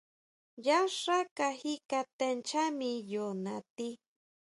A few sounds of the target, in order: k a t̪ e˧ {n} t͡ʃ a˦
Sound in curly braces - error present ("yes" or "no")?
no